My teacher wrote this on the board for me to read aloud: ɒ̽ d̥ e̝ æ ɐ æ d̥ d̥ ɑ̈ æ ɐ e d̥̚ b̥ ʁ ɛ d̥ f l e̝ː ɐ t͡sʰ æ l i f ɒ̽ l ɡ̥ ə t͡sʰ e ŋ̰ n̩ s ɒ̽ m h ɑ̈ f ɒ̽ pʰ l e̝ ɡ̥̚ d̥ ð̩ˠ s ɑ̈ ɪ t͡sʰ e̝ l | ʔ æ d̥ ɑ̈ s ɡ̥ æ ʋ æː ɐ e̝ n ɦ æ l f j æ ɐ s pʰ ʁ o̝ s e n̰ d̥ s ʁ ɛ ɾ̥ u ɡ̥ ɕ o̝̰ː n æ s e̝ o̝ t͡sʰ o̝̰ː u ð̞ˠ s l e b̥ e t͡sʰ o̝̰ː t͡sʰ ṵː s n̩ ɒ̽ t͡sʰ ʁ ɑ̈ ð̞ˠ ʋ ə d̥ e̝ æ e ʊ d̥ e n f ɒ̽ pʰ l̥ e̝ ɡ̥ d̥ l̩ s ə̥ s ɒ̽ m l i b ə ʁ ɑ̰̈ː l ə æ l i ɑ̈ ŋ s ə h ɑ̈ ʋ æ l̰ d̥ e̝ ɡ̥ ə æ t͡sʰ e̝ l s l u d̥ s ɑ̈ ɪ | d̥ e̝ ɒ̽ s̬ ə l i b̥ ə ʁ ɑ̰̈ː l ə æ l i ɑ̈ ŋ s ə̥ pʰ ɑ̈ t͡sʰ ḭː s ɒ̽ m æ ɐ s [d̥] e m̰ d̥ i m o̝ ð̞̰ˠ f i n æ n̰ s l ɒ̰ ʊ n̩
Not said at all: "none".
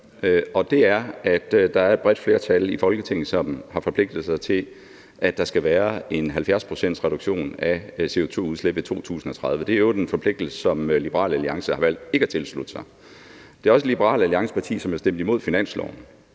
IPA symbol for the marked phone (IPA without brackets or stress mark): d̥